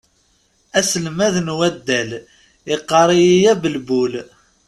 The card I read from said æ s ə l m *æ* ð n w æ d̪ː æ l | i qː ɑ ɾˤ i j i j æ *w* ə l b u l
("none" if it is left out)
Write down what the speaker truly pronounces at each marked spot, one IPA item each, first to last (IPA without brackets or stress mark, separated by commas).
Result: æ, b